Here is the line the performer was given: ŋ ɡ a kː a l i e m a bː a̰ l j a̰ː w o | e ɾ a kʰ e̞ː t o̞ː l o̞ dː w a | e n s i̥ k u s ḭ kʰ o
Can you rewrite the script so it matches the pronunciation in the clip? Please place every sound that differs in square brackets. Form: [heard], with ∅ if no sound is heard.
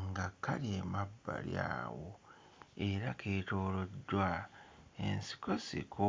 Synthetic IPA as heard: ŋ ɡ a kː a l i e m a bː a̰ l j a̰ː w o | e ɾ a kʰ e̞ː t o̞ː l o̞ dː w a | e n s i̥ k [o] s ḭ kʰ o